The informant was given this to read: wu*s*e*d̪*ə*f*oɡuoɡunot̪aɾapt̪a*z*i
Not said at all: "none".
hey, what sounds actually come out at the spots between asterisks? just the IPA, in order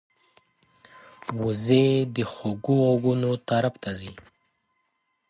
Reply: z, d̪, x, z

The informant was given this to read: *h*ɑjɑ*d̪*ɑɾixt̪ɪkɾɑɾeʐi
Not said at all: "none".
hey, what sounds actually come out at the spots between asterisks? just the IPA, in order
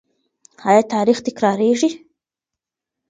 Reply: h, t̪

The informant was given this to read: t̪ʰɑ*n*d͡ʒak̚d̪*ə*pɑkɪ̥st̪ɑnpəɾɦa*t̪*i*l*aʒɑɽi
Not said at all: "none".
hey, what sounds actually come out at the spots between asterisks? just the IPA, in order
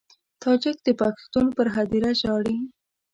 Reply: none, ə, d̪, ɾ

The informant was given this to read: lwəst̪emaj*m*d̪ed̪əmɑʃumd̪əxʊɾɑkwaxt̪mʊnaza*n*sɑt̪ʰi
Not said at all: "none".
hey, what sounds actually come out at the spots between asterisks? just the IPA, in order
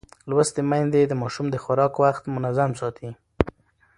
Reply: n, m

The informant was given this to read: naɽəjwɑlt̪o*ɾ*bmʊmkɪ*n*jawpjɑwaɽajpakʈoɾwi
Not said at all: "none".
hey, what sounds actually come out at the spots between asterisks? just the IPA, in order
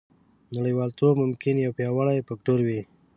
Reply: none, n

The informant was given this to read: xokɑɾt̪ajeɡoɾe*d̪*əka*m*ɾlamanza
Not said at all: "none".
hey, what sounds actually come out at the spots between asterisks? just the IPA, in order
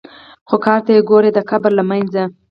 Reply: d̪, b

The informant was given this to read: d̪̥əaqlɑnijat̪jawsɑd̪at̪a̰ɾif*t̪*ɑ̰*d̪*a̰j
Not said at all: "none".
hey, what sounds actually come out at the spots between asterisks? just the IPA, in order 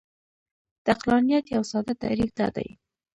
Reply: d̪, d̪

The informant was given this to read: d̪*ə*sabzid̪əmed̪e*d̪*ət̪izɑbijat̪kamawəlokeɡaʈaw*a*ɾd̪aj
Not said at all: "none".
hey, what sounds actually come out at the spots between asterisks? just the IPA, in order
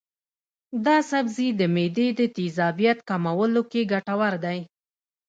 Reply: ɑ, d̪, a

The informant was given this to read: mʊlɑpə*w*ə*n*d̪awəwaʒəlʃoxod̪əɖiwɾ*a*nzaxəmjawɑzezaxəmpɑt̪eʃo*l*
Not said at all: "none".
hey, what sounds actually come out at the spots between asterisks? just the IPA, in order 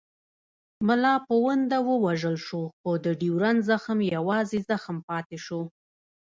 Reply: w, n, a, none

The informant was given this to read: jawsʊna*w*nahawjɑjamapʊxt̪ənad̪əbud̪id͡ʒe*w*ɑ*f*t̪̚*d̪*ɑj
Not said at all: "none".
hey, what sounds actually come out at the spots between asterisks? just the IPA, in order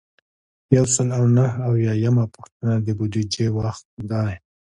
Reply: w, w, x, d̪

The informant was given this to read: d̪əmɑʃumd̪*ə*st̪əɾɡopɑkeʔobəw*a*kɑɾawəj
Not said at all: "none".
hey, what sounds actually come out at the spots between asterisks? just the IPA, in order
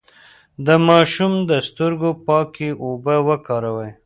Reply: ə, ə

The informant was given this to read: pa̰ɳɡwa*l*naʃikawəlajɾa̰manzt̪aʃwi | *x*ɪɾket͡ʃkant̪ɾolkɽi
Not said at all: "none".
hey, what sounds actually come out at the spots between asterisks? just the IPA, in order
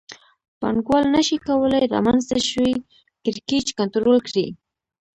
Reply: l, k

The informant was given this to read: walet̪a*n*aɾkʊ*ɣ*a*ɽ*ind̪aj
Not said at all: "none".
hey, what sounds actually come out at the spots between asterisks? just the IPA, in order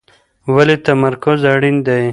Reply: m, z, ɽ

